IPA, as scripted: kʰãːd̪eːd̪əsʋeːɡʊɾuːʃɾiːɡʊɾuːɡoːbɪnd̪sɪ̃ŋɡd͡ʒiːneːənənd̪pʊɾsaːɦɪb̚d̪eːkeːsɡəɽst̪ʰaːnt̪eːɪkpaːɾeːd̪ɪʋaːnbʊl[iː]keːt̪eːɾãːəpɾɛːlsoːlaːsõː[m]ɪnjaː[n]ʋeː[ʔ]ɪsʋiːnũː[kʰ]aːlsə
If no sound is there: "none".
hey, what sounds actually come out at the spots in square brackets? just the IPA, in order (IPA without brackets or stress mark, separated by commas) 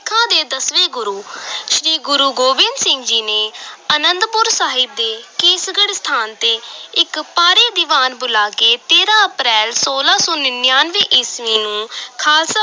aː, n, n, ʔ, kʰ